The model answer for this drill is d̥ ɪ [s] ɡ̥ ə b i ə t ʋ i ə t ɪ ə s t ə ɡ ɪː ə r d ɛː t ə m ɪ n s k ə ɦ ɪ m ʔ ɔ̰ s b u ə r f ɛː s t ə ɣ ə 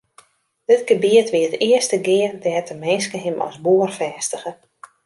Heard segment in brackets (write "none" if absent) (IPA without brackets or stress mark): t